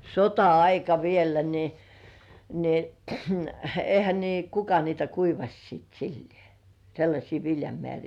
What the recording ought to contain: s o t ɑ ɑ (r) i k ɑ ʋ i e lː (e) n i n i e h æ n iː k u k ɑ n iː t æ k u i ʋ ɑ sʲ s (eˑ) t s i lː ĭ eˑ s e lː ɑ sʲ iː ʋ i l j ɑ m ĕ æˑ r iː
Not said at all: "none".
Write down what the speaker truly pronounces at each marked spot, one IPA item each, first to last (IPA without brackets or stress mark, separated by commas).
none, æ, iˑ